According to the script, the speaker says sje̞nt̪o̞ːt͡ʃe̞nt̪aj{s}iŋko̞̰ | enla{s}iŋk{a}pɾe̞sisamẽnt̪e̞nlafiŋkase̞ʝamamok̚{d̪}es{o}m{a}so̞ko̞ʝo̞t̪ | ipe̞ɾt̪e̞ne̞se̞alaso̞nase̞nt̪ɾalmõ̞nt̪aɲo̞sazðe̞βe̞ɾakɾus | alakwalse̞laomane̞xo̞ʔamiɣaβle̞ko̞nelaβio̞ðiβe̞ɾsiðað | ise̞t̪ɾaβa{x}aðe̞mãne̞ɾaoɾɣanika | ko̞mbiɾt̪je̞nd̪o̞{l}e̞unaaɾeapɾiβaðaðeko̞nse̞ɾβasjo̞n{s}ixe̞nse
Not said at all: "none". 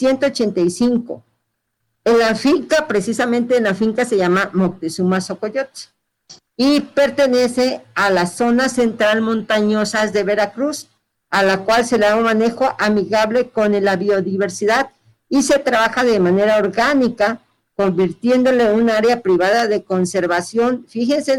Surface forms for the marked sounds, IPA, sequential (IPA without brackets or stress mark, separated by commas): s, f, a, t̪, u, a, x, l, f